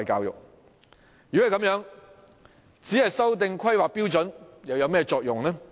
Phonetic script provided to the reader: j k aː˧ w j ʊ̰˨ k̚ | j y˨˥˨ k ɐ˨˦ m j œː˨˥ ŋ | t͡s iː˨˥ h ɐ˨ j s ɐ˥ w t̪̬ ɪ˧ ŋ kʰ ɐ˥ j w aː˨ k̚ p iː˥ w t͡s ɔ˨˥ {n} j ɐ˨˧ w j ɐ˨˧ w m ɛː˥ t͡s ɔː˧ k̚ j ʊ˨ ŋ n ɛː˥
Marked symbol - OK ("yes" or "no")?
yes